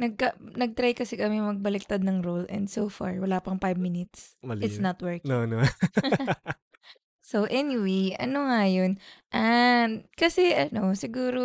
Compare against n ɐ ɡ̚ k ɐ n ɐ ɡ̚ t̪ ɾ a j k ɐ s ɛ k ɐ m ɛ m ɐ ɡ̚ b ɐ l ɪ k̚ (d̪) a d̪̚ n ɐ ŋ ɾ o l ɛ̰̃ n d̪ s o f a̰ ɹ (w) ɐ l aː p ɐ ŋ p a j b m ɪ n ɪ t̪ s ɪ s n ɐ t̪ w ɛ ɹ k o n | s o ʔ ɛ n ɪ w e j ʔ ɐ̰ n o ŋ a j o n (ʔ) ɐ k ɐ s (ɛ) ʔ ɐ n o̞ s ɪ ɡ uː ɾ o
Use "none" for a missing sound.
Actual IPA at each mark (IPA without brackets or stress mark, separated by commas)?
t̪, w, ʔ, ɛ